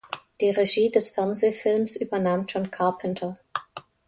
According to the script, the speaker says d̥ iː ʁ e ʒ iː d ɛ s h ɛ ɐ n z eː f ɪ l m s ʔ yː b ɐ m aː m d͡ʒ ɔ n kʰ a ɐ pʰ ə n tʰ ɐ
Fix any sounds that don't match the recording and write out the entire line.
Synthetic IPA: d̥ iː ʁ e ʒ iː d ɛ s f ɛ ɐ n z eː f ɪ l m s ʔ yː b ɐ n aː m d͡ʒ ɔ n kʰ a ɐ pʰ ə n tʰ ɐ